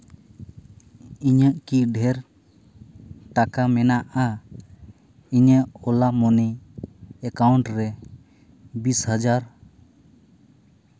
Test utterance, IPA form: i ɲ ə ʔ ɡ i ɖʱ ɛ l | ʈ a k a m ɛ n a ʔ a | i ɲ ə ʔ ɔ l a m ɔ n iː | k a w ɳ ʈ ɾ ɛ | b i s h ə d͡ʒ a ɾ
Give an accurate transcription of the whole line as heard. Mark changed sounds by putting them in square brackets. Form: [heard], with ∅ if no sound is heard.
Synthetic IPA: i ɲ ə ʔ [k] i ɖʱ ɛ [ɾ] | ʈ a k a m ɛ n a ʔ a | i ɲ ə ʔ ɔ l a m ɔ n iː | k a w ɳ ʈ ɾ ɛ | b i s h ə d͡ʒ a ɾ